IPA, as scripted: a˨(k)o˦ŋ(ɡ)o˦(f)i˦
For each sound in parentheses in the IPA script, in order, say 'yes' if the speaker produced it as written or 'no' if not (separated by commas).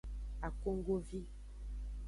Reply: yes, yes, no